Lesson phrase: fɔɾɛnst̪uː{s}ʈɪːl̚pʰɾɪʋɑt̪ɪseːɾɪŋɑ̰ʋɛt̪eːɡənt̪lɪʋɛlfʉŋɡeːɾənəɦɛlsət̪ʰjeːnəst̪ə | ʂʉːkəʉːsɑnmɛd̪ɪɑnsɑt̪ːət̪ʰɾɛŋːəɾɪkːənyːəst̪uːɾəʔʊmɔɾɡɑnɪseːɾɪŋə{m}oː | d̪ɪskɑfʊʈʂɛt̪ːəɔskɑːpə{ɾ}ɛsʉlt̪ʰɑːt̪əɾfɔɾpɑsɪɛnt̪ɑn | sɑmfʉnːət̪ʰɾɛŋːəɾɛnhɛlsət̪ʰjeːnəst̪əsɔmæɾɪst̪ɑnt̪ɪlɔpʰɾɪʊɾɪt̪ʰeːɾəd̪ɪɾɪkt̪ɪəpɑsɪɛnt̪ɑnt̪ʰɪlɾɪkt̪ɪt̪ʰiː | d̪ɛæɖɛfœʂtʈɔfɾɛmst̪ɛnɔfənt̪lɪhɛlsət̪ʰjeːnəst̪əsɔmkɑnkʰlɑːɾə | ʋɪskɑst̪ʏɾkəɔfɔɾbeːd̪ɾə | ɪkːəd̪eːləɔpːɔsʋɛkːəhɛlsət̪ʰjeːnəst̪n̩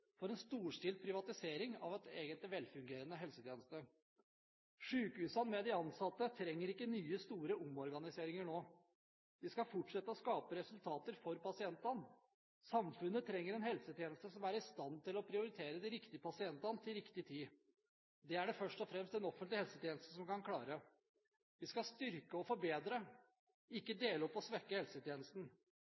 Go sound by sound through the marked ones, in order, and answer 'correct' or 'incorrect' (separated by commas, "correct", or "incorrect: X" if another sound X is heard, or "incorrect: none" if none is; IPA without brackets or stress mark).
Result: incorrect: ʂ, incorrect: ɳ, correct